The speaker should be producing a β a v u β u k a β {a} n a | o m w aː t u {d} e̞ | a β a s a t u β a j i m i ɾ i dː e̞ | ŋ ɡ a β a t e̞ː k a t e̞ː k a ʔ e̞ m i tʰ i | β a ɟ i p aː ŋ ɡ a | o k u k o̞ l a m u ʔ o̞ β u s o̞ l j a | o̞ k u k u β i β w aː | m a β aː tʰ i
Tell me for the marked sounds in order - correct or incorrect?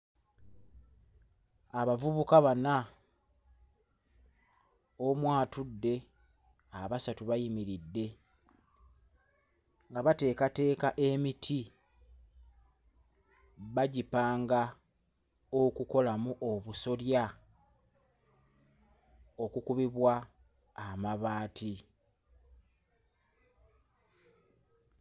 correct, incorrect

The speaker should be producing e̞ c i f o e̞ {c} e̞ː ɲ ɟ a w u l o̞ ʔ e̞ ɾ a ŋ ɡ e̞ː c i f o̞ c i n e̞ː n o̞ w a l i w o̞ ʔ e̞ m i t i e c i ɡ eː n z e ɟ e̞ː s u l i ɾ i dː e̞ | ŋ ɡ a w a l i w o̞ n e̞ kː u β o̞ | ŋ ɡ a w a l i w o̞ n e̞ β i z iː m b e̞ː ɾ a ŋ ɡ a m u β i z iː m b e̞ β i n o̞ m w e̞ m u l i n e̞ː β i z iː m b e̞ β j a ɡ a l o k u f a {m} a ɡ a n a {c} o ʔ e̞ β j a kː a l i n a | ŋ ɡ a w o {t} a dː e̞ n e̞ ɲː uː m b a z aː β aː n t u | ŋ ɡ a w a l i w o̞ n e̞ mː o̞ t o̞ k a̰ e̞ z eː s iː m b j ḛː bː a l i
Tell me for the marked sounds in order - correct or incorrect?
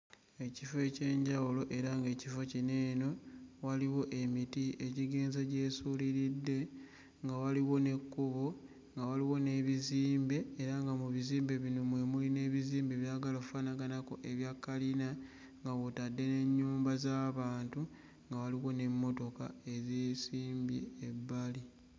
correct, incorrect, incorrect, correct

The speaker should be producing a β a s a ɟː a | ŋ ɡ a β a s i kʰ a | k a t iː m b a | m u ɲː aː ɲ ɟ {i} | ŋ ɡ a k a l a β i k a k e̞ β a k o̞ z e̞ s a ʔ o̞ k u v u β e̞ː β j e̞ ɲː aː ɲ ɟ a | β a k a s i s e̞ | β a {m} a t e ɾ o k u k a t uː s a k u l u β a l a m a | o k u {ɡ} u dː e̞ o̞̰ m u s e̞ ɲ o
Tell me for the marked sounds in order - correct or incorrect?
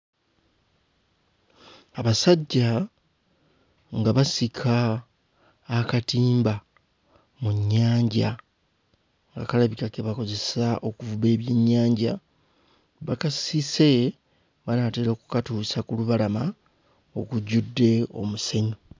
incorrect, incorrect, incorrect

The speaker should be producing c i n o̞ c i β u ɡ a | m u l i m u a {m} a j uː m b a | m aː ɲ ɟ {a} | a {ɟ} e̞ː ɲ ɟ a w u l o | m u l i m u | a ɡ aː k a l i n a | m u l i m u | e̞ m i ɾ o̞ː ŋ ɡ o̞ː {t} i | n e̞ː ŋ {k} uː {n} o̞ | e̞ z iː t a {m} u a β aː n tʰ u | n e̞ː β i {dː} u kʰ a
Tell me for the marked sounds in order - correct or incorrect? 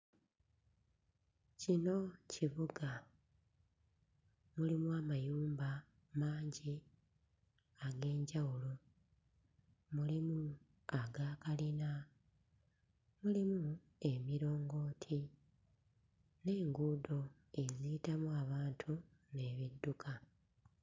correct, incorrect, incorrect, incorrect, incorrect, incorrect, correct, correct

